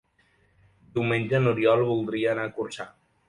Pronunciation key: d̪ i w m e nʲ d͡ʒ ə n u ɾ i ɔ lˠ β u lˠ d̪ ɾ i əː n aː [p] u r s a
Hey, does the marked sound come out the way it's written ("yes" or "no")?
no